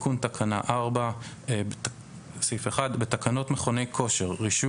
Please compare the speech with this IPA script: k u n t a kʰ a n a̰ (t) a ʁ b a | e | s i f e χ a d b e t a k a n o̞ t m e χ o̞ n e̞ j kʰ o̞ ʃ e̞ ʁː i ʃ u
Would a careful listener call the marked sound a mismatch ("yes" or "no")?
yes